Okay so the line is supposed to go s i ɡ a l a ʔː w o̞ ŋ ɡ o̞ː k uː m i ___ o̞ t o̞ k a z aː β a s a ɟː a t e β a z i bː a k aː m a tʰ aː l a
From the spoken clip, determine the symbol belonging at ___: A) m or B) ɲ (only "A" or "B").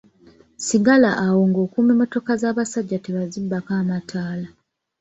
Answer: A